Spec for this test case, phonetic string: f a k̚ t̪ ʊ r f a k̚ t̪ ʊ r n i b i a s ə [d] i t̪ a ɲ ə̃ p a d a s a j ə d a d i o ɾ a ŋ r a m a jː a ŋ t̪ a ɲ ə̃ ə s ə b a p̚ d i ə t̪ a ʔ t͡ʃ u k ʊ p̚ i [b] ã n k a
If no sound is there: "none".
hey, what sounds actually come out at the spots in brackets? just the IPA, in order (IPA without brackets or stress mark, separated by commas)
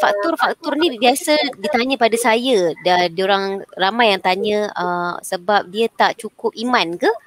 d, m